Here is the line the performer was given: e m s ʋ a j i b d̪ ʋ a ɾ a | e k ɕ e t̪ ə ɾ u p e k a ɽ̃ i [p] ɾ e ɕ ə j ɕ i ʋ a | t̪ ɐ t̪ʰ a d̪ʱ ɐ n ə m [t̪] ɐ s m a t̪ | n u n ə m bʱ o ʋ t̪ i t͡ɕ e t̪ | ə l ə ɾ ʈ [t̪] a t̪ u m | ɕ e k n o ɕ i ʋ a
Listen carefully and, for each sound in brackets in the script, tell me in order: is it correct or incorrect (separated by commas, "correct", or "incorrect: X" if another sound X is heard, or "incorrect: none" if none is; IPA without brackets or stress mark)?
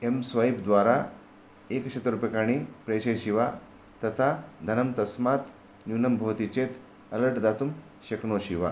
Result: correct, correct, incorrect: d̪